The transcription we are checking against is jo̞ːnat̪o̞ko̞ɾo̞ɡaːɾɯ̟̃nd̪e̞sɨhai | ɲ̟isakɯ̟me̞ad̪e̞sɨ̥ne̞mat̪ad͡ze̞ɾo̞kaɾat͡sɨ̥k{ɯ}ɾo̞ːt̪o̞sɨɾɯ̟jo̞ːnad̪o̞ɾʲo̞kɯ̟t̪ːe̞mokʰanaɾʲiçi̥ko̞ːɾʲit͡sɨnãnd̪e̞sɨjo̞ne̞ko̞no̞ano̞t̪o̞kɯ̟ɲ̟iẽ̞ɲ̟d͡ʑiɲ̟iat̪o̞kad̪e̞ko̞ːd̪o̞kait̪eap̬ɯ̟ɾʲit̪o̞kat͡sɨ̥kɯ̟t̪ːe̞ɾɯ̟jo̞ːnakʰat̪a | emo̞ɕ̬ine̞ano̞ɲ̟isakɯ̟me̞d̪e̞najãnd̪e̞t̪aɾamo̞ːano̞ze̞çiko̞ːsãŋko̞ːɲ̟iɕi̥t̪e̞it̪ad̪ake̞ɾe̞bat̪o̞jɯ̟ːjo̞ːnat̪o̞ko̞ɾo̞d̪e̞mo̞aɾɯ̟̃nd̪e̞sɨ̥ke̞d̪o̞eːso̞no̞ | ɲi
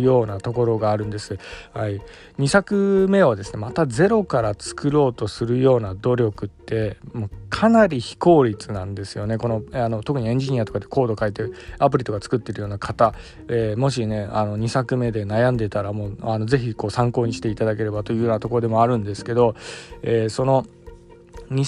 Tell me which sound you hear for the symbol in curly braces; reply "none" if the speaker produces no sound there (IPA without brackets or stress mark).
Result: ɯ